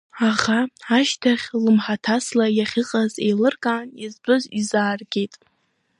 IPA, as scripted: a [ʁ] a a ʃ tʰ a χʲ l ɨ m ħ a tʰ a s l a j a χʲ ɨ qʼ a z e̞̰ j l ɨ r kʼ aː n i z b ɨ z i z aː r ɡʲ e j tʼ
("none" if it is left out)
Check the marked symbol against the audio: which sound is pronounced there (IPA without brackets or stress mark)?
ʁ